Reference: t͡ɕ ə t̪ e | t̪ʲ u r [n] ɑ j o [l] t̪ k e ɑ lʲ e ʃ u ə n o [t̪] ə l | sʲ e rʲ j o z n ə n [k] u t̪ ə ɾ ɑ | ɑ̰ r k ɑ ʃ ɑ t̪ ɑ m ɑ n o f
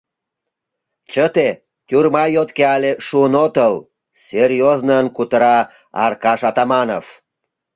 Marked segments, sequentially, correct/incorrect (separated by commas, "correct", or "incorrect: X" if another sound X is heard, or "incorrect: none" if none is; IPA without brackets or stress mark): incorrect: m, incorrect: none, correct, correct